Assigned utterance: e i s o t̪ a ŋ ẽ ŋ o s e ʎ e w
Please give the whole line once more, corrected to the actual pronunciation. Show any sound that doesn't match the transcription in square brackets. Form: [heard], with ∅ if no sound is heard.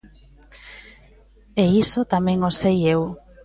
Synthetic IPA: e i s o t̪ a [m] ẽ ŋ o s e [j] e w